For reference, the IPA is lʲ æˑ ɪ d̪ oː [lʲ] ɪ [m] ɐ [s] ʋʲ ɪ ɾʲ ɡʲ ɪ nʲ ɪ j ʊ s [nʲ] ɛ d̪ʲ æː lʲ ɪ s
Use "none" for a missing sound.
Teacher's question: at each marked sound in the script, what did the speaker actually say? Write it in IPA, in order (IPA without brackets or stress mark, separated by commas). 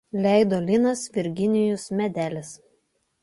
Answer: lʲ, n, s, mʲ